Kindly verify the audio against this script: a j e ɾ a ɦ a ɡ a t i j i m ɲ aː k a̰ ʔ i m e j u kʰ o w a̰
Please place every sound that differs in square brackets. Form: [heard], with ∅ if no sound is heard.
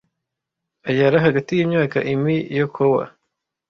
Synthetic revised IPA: a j [a] ɾ a ɦ a ɡ a t i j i m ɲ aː k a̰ ʔ i m [i] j [o] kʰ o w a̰